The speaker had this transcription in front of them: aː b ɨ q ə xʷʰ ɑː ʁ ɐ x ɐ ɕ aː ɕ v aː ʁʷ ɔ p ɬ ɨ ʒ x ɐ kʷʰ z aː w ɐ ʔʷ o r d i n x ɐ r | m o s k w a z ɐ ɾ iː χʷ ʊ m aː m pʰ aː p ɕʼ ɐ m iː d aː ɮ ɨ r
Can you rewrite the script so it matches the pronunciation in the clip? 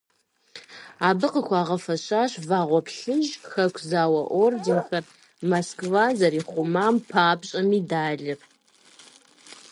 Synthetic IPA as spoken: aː b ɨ q ə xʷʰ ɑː ʁ ɐ f ɐ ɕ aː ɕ v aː ʁʷ ɔ p ɬ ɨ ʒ x ɐ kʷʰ z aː w ɐ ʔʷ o r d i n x ɐ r | m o s k v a z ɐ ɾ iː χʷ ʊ m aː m pʰ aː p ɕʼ ɐ m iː d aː ɮ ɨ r

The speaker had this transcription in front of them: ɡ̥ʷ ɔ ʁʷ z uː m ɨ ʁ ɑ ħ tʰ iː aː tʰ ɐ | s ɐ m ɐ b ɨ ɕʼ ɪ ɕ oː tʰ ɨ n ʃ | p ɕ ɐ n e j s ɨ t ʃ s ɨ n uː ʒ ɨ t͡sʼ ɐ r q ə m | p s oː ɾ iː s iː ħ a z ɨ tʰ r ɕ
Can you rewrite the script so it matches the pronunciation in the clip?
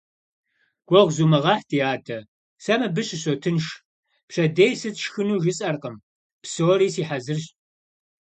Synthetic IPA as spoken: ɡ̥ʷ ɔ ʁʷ z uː m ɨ ʁ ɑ ħ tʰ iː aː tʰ ɐ | s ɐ m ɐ b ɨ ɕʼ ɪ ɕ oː tʰ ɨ n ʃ | p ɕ ɐ d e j s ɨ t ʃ x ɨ n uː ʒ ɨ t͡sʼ ɐ r q ə m | p s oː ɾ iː s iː ħ a z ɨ r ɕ

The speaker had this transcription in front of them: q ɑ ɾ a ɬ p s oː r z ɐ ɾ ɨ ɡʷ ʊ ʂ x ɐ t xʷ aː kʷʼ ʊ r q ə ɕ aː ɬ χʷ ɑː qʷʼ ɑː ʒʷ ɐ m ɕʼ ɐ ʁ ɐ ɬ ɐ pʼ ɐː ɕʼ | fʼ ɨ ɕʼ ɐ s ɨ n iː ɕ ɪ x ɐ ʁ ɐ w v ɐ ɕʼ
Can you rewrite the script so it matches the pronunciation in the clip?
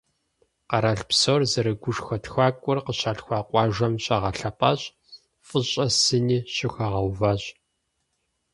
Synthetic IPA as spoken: q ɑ ɾ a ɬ p s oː r z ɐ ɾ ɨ ɡʷ ʊ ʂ x ɐ t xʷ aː kʷʼ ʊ r q ə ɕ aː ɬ xʷ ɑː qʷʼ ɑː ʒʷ ɐ m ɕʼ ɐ ʁ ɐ ɬ ɐ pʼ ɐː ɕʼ | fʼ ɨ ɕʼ ɐ s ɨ n iː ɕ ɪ x ɐ ʁ ɐ w v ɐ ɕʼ

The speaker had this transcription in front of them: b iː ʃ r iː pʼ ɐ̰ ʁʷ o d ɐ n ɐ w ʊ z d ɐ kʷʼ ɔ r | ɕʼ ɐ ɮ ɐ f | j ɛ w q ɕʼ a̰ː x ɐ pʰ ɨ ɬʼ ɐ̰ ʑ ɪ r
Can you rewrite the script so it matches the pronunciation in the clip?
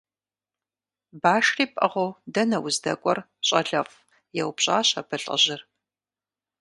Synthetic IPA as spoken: b aː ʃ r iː pʼ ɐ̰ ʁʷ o d ɐ n ɐ w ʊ z d ɐ kʷʼ ɔ r | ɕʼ ɐ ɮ ɐ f | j ɛ w p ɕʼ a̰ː ɕ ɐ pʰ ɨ ɬʼ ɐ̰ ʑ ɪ r

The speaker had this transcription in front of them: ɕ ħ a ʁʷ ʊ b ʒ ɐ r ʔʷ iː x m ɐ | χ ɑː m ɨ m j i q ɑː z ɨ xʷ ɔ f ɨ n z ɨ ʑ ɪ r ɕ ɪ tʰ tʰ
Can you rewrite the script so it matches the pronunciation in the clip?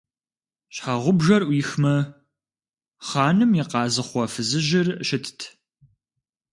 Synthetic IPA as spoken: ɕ ħ a ʁʷ ʊ b ʒ ɐ r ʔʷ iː x m ɐ | χ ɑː n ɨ m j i q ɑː z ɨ χʷ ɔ f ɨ z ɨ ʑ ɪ r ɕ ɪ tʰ tʰ

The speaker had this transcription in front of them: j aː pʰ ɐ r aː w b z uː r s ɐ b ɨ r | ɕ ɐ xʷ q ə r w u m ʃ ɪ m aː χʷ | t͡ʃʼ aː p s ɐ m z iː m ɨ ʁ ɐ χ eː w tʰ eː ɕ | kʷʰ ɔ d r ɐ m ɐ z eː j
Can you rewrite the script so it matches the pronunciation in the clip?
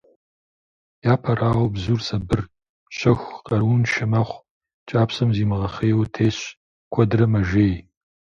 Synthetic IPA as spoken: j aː pʰ ɐ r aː w b z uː r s ɐ b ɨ r | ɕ ɐ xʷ q ɐ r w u n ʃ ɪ m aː χʷ | t͡ʃʼ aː p s ɐ m z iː m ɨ ʁ ɐ χ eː w tʰ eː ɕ | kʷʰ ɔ d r ɐ m ɐ ʒ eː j

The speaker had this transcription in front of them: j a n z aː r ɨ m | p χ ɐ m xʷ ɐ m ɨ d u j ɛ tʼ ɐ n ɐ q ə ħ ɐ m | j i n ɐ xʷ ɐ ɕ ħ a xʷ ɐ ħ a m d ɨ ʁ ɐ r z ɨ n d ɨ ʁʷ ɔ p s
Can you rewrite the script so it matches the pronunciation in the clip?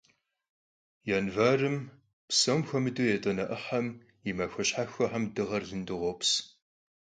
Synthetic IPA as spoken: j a n v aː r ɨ m | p s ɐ m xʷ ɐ m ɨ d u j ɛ tʼ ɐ n ɐ ʔ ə ħ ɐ m | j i m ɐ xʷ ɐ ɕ ħ a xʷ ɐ ħ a m d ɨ ʁ ɐ r z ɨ n d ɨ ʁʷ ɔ p s

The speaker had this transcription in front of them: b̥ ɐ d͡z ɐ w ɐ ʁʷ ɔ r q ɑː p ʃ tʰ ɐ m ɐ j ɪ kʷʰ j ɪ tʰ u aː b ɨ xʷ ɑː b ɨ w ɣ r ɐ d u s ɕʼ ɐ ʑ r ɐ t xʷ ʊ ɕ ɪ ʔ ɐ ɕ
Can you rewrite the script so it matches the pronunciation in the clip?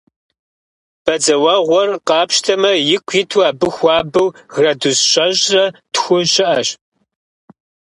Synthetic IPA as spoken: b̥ ɐ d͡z ɐ w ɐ ʁʷ ɔ r q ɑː p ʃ tʰ ɐ m ɐ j ɪ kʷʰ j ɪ tʰ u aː b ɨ xʷ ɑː b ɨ w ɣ r ɐ d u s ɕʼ ɐ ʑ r ɐ t xʷ ʊ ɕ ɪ ʔ ɐ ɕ

